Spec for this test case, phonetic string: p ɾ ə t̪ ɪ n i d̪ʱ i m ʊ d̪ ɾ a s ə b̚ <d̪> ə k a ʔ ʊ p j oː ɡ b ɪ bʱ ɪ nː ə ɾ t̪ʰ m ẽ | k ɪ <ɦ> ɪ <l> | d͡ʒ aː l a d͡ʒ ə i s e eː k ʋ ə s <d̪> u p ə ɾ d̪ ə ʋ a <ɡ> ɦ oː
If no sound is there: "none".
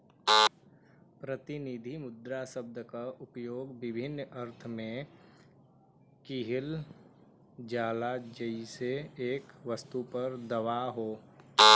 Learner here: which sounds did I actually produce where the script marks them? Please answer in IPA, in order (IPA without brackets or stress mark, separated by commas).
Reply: d̪, ɦ, l, t̪, none